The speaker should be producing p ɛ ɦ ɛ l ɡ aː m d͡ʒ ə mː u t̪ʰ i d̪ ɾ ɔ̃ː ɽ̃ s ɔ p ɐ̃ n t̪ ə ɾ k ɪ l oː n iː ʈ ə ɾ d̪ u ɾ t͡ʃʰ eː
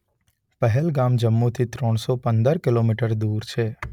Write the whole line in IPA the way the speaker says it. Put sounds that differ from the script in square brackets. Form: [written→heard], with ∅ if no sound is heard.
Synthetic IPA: p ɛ ɦ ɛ l ɡ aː m d͡ʒ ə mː u t̪ʰ i [d̪→t̪] ɾ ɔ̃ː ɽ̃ s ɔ p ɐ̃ n [t̪→d̪] ə ɾ k ɪ l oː [n→m] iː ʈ ə ɾ d̪ [u→uː] ɾ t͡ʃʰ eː